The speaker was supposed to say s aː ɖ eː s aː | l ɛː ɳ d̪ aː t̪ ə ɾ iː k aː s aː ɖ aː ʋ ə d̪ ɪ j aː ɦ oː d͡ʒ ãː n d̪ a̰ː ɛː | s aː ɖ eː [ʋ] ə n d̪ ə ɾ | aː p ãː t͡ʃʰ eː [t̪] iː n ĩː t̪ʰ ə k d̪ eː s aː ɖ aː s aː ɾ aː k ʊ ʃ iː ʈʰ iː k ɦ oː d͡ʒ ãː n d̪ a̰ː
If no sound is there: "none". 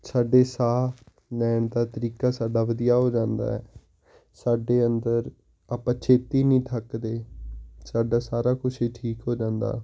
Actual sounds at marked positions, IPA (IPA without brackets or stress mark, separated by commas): none, t̪